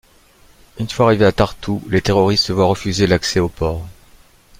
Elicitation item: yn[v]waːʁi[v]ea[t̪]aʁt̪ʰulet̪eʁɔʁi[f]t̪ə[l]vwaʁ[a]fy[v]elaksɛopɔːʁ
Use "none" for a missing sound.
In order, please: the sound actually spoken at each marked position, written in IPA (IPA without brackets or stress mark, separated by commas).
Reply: f, v, t̪, s, none, ə, z